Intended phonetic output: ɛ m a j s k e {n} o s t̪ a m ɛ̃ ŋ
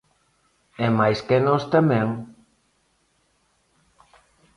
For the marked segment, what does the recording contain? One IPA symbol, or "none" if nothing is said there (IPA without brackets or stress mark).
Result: n